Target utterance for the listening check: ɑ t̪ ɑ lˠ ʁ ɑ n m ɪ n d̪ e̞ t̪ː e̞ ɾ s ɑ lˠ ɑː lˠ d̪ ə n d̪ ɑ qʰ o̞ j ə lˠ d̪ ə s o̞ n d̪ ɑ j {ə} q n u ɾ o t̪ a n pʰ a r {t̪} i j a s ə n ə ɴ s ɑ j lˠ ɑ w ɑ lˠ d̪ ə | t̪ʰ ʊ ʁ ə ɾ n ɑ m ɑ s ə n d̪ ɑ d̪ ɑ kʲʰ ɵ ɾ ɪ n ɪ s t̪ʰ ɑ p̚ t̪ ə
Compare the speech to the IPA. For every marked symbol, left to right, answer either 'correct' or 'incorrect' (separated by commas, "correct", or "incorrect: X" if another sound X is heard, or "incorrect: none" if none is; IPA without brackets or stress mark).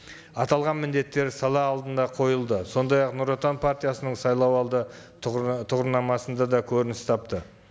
incorrect: ɑ, correct